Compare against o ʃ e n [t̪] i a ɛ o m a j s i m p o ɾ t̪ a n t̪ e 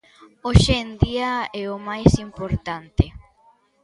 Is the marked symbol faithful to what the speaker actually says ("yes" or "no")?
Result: no